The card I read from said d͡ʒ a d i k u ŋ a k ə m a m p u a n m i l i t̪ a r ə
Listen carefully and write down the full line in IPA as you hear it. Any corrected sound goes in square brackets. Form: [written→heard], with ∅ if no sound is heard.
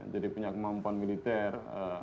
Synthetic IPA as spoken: d͡ʒ a d i [k→p] u [ŋ→ɲ] a k ə m a m p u a n m i l i t̪ [a→ɛ] r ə